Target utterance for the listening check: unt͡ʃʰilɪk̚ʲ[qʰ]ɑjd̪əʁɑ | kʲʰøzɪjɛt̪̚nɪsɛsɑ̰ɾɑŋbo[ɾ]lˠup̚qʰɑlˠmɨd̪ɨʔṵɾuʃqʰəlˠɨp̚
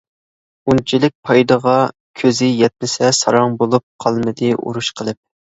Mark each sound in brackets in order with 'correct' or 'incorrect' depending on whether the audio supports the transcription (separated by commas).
incorrect, incorrect